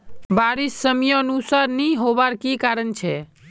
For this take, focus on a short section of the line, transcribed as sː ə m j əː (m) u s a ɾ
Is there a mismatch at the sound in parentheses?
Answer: yes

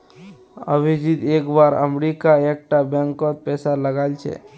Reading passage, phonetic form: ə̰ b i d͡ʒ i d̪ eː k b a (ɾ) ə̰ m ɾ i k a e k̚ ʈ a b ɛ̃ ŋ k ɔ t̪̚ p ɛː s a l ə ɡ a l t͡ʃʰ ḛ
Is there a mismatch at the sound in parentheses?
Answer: no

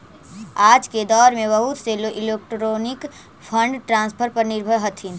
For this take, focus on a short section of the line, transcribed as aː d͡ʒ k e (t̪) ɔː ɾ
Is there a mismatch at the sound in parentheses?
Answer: yes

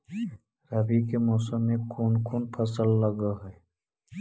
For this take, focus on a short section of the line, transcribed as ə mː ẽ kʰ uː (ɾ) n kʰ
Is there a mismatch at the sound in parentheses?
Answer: yes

